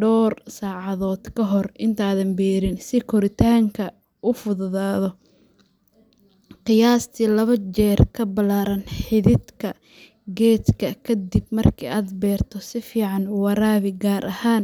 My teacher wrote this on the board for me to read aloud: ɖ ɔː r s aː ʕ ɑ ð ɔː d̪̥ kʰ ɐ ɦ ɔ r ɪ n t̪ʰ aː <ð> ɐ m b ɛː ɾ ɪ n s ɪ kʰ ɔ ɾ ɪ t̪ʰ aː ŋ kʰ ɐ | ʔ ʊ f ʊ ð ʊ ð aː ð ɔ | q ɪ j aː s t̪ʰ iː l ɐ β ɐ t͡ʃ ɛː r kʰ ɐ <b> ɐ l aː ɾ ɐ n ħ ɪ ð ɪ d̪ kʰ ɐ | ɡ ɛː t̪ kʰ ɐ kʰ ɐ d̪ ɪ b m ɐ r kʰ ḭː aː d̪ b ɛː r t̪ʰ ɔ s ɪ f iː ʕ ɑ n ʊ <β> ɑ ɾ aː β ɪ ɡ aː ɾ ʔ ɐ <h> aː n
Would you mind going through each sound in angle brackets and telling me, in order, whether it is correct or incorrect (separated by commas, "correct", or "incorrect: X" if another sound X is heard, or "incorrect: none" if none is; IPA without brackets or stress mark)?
correct, correct, incorrect: w, correct